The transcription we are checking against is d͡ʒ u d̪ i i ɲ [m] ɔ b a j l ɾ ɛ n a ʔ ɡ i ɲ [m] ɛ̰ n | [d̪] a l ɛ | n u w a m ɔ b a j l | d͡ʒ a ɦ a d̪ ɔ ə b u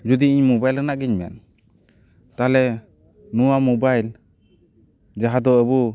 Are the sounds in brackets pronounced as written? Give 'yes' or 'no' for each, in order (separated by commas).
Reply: yes, yes, no